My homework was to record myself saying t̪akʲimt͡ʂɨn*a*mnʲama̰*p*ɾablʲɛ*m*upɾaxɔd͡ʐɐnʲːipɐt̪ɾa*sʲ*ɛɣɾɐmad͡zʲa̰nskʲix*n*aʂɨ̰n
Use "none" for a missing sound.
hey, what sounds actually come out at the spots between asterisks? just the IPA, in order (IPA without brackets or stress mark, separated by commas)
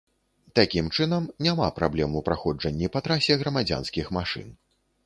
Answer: ɐ, p, m, sʲ, m